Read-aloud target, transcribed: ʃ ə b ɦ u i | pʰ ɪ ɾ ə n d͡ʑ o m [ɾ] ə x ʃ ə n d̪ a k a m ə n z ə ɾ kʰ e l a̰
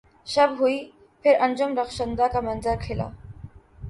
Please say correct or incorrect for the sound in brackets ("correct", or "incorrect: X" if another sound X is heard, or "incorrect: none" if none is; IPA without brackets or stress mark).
correct